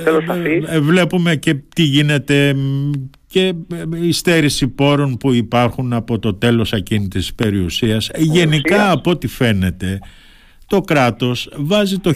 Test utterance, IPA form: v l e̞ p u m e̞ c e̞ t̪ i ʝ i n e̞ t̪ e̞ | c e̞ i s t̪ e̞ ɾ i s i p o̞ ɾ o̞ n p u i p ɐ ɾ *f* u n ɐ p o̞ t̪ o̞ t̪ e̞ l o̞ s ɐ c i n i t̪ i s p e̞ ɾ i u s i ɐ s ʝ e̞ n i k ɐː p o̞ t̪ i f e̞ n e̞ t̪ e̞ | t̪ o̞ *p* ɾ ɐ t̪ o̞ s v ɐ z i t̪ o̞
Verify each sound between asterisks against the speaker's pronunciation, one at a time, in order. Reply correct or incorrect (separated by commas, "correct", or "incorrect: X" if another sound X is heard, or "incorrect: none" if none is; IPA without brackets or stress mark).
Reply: incorrect: x, incorrect: k